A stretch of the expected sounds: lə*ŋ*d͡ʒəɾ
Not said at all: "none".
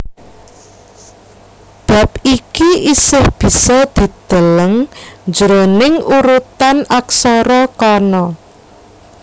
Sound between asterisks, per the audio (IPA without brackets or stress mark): ŋ